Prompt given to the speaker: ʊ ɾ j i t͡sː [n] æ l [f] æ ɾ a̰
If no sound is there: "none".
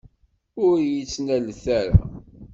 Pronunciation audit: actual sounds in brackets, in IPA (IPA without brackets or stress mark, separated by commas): n, θ